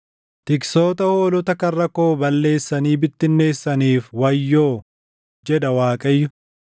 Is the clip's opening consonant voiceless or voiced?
voiceless